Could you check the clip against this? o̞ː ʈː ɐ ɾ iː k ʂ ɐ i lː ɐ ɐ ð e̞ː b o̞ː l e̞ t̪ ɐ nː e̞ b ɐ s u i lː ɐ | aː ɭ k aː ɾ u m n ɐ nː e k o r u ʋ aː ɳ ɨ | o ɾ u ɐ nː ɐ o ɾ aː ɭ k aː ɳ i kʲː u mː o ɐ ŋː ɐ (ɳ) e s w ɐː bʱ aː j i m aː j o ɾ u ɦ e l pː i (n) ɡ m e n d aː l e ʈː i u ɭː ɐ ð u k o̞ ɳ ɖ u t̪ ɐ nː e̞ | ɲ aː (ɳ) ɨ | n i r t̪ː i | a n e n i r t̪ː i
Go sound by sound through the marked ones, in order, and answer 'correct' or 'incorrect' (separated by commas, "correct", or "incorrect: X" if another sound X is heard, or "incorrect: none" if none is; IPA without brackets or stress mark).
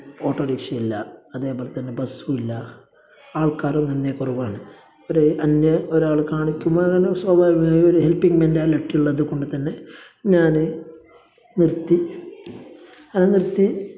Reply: incorrect: n, incorrect: ŋ, incorrect: n